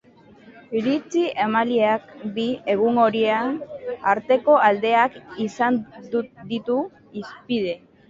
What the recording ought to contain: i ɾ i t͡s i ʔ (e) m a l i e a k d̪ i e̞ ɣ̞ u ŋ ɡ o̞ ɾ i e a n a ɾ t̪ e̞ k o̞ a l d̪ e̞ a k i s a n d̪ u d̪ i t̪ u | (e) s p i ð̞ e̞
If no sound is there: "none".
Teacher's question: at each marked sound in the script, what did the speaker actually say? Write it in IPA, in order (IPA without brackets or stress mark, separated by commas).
e, i